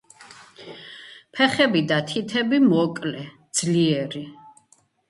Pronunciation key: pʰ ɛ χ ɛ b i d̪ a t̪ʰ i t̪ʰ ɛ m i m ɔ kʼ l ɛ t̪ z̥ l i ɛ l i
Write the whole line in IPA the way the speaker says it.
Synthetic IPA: pʰ ɛ χ ɛ b i d̪ a t̪ʰ i t̪ʰ ɛ b i m ɔ kʼ l ɛ d̪ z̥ l i ɛ ɾ i